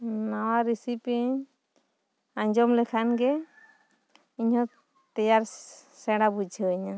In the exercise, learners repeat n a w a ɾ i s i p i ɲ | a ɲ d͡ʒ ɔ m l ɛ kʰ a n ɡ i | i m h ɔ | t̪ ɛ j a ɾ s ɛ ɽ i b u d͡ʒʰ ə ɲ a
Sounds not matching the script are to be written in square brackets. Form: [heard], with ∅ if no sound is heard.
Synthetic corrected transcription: n a w a ɾ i s i p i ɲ | a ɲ d͡ʒ ɔ m l ɛ kʰ a n ɡ [ɛ] | i [ɲ] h ɔ | t̪ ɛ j a ɾ s ɛ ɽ [a] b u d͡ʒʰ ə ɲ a